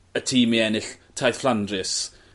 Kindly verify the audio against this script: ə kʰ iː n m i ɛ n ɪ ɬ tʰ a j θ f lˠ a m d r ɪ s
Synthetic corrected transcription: ə tʰ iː m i ɛ n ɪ ɬ tʰ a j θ f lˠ a n d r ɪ s

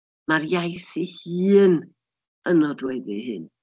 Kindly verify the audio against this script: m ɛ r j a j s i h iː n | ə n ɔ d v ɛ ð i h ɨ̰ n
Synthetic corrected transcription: m a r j a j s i h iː n | ə n ɔ d w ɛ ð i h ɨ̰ n

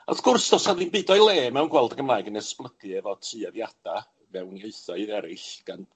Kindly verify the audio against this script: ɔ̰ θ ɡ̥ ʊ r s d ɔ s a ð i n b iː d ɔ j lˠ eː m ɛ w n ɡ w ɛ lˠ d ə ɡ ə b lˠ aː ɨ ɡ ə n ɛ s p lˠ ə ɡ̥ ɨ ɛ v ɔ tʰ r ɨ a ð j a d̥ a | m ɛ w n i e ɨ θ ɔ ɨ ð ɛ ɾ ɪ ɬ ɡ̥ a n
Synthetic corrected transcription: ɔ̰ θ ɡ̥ ʊ r s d ɔ s a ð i n b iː d ɔ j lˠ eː m ɛ w n ɡ w ɛ lˠ d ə ɡ ə m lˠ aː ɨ ɡ ə n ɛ s p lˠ ə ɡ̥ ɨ ɛ v ɔ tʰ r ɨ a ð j a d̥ a | m ɛ w n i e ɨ θ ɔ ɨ ð ɛ ɾ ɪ ɬ ɡ̥ a n

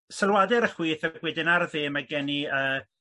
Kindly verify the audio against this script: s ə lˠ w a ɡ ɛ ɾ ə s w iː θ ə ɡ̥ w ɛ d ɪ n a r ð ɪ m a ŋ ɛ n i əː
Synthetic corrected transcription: s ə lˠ w a d ɛ ɾ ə χ w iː θ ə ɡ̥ w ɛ d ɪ n a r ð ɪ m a ɡ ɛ n i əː

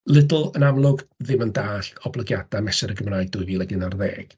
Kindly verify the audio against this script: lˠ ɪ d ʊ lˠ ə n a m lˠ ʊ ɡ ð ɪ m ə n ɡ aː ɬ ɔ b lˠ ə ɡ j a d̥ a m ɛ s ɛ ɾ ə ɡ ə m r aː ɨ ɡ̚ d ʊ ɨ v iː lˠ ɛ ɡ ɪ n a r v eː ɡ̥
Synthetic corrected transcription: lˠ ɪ d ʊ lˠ ə n a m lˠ ʊ ɡ ð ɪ m ə n d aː ɬ ɔ b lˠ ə ɡ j a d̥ a m ɛ s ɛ ɾ ə ɡ ə m r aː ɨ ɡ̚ d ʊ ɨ v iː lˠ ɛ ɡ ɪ n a r ð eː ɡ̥

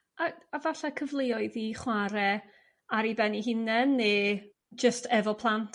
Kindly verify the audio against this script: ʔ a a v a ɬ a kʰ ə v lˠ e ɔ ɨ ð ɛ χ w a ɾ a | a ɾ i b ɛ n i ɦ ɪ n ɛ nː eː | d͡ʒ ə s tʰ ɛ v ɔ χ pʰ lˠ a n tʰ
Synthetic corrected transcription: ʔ a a v a ɬ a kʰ ə v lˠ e ɔ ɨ ð i χ w a ɾ ɛ | a ɾ i b ɛ n i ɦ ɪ n ɛ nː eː | d͡ʒ ə s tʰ ɛ v ɔ pʰ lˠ a n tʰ

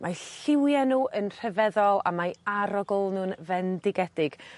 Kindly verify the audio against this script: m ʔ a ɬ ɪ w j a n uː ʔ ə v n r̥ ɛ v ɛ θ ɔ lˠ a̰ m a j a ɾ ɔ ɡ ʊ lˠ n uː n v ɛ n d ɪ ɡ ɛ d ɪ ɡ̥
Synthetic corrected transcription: m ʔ a ɬ ɪ w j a n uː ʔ ə n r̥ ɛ v ɛ ð ɔ lˠ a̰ m a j a ɾ ɔ ɡ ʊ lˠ n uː n v ɛ n d ɪ ɡ ɛ d ɪ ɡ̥

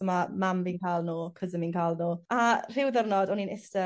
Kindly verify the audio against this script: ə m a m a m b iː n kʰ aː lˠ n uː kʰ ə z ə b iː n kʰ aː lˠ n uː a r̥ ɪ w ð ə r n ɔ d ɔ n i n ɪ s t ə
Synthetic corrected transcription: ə m a m a m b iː n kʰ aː lˠ n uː kʰ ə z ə m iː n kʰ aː lˠ n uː a r̥ ɪ w ð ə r n ɔ d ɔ n i n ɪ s t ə

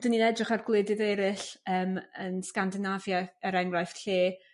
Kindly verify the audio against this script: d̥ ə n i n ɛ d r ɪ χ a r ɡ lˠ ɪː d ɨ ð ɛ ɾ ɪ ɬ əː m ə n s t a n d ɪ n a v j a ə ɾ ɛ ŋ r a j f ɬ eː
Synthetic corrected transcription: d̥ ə n i n ɛ d r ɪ χ a r ɡ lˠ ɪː d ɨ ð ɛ ɾ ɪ ɬ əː m ə n s k a n d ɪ n a v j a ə ɾ ɛ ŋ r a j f ɬ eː

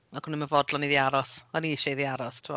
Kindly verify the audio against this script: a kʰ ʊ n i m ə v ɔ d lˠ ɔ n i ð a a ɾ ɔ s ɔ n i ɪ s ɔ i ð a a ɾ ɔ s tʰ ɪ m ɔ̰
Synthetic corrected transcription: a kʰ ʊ n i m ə v ɔ d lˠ ɔ n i ð i a ɾ ɔ s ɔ n i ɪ ʃ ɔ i ð i a ɾ ɔ s tʰ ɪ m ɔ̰

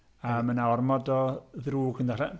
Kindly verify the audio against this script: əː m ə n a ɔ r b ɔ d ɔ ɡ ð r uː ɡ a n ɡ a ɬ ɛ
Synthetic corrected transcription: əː m ə n a ɔ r m ɔ d ɔ ð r uː ɡ ə n d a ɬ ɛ

